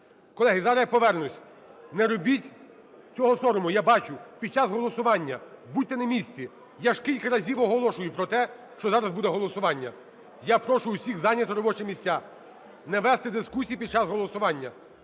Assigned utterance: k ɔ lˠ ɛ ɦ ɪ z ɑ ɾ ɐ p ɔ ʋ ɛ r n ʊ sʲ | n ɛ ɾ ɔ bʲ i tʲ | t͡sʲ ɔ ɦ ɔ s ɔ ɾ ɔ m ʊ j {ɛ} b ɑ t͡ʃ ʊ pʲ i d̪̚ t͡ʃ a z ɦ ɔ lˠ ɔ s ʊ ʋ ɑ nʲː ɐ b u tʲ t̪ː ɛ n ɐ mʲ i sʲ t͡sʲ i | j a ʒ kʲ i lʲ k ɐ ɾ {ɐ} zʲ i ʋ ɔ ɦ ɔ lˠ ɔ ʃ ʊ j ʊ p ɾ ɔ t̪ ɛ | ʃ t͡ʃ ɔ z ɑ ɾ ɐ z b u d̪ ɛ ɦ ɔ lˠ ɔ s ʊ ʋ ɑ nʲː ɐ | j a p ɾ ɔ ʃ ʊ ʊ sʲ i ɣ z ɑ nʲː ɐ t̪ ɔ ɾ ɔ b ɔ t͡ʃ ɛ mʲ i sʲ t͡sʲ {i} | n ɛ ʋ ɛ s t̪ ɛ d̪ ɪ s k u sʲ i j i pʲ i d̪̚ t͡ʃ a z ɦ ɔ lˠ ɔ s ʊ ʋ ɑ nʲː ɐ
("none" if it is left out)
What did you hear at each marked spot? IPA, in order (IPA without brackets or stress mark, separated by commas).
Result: a, ɐ, a